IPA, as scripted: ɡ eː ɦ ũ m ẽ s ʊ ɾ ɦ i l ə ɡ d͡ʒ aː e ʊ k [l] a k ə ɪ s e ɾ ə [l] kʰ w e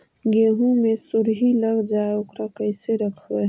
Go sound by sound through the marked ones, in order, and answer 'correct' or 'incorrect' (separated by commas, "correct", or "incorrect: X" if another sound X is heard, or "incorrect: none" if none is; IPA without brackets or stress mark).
incorrect: ɾ, incorrect: none